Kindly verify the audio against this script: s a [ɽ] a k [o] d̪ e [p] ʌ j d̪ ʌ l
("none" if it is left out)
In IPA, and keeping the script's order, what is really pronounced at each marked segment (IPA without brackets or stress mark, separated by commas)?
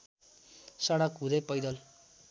ɽ, u, p